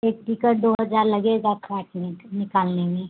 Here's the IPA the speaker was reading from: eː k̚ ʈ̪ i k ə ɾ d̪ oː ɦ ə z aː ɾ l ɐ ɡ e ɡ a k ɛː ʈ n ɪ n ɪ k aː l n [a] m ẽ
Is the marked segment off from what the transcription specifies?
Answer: yes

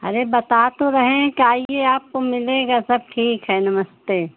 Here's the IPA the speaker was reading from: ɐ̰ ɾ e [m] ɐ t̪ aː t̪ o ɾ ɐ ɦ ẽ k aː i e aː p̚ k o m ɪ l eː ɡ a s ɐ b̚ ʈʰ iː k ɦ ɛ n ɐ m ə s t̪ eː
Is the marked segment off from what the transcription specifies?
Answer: yes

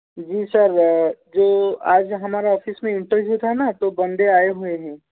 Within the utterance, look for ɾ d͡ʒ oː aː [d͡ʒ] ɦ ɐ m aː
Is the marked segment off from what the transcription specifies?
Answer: no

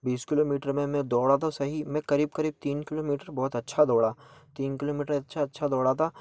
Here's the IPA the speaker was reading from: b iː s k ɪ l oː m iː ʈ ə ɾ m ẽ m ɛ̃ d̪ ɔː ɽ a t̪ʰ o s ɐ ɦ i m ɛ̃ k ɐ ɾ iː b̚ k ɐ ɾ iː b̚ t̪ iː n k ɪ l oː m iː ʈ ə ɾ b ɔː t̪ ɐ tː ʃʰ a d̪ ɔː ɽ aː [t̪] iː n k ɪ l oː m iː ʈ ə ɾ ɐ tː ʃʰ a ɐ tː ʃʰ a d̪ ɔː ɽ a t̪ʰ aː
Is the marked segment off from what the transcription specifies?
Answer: no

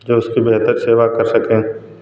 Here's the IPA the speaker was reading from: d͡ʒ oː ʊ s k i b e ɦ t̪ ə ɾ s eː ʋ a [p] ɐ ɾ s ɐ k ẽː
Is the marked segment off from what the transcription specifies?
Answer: yes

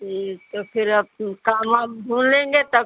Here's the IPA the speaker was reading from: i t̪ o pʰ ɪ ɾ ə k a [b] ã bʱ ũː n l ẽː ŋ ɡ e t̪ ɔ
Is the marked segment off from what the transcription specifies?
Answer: yes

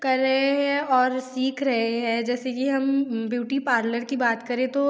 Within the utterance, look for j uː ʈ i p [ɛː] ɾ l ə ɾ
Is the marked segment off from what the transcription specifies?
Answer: yes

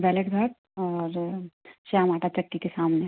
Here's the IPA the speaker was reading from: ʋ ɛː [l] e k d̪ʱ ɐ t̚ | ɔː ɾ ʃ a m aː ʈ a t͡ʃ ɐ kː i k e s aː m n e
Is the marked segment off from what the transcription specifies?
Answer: no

